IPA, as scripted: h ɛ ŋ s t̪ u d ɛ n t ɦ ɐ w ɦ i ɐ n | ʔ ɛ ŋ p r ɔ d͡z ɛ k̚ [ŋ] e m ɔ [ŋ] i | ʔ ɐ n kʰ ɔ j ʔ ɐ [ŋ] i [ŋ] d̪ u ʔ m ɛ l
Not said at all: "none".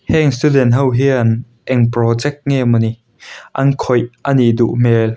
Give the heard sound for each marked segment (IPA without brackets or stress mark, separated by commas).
ŋ, n, n, none